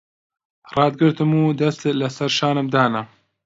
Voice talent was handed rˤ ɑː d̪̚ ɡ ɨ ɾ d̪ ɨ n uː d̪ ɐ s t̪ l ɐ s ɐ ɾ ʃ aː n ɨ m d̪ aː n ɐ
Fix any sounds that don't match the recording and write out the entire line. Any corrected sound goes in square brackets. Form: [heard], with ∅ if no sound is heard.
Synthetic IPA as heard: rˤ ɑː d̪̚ ɡ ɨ ɾ [t̪] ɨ [m] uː d̪ ɐ s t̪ l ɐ s ɐ ɾ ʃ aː n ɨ m d̪ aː n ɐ